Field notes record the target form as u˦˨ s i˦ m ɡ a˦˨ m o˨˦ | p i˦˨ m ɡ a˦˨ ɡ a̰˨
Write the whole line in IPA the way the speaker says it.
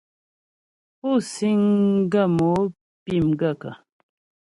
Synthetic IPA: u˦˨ s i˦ ŋ ɡ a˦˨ m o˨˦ | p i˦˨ m ɡ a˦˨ k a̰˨